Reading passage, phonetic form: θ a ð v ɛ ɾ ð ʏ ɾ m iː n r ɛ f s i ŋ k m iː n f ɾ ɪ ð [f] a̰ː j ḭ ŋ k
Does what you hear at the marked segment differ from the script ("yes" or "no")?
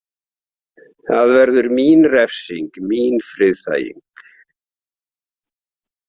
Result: yes